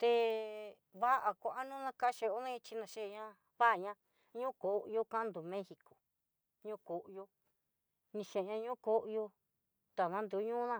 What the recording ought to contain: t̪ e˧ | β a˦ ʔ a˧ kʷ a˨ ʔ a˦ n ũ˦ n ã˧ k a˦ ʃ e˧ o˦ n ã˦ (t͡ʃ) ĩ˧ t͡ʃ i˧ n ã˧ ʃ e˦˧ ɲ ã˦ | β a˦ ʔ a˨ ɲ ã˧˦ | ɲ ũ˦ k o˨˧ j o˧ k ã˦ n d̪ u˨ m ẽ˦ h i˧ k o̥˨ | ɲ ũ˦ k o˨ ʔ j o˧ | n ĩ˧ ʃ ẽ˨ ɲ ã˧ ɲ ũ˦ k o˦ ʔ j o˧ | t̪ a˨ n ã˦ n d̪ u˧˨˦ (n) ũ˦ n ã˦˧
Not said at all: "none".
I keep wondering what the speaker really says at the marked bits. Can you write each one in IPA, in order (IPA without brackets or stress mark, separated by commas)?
none, ɲ